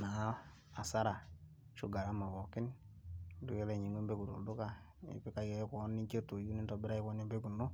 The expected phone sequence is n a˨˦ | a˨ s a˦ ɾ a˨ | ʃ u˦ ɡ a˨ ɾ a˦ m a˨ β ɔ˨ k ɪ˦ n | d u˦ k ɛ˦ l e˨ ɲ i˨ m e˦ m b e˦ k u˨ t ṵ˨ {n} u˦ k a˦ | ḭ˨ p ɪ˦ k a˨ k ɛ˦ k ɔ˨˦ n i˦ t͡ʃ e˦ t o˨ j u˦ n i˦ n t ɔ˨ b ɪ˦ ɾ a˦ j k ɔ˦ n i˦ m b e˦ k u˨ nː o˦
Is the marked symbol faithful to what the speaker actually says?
no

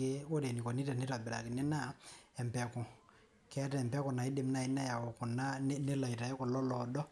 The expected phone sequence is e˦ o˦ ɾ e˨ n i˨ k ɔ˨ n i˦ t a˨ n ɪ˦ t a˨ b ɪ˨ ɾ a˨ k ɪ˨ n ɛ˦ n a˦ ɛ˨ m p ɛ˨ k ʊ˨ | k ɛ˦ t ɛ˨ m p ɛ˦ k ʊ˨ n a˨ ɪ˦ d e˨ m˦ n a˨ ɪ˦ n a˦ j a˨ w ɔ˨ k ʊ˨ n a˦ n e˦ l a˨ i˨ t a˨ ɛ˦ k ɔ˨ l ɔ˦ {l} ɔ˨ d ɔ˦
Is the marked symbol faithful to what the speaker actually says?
yes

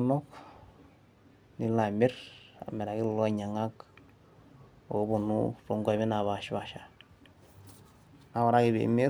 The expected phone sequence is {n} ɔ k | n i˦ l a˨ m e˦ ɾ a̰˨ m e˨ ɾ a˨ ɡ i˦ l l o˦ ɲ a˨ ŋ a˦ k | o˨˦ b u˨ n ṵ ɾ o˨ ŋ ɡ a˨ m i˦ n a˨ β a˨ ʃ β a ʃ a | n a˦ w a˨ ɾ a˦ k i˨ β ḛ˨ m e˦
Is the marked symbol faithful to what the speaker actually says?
no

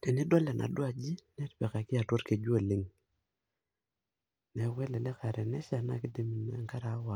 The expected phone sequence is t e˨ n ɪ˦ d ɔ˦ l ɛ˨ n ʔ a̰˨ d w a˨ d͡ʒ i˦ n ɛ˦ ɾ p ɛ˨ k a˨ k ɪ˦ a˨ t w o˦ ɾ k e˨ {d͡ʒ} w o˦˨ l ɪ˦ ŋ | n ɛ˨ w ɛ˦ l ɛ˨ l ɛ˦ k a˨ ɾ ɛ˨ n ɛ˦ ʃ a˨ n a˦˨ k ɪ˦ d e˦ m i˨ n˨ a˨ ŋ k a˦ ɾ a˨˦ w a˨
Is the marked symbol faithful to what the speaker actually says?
yes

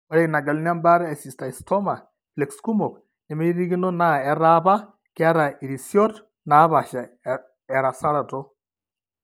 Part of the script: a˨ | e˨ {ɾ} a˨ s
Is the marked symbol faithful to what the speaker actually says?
yes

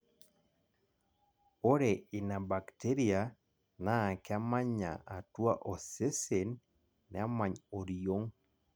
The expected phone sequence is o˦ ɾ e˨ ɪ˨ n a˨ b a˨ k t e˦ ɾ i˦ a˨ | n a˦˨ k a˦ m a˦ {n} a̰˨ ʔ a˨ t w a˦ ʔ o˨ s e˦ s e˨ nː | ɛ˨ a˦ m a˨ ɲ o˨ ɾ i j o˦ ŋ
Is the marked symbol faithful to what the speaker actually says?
no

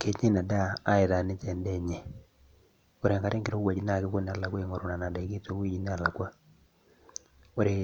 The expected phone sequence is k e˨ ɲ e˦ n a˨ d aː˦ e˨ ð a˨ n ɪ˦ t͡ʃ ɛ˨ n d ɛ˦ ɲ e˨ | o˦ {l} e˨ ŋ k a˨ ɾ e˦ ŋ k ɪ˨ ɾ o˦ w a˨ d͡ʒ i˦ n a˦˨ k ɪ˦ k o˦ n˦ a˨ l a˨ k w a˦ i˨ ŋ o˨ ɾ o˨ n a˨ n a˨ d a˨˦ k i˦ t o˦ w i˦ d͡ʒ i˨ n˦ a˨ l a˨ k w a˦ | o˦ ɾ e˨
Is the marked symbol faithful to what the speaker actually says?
no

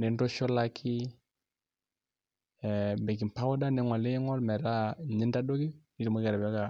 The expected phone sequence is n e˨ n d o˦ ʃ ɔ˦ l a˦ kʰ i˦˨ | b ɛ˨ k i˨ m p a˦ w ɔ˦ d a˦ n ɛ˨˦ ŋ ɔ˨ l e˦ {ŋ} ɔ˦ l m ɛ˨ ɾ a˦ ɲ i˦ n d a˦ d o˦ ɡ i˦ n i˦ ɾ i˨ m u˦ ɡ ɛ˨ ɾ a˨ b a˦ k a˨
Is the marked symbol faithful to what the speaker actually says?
yes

